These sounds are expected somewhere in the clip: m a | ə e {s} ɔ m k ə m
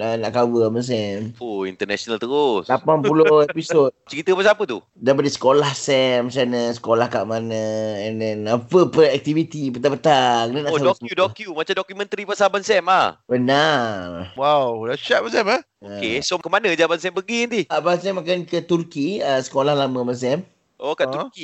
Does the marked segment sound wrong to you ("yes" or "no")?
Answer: no